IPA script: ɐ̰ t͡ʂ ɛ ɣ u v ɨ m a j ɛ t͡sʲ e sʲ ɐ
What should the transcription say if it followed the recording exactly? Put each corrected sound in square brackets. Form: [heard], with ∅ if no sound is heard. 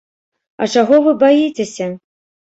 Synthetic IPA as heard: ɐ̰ t͡ʂ [a] ɣ [ɔ] v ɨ [b] a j [i] t͡sʲ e sʲ ɐ